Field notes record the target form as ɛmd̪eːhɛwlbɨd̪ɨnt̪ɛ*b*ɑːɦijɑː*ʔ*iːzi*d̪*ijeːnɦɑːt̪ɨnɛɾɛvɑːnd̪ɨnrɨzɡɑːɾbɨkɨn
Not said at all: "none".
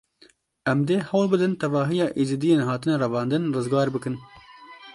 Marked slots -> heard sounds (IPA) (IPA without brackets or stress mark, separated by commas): v, ʔ, d̪